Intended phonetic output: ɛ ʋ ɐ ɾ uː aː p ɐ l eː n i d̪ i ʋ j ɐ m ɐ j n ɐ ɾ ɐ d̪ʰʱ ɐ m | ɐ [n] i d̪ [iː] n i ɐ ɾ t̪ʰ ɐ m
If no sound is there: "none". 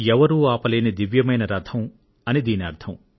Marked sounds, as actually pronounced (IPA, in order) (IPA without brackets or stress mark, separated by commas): n, iː